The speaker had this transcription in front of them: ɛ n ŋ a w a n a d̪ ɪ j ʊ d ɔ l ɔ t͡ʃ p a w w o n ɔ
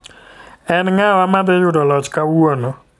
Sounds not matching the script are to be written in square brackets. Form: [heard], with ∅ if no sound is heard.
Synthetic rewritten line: ɛ n ŋ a w a [m] a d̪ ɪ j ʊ d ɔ l ɔ t͡ʃ [k] a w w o n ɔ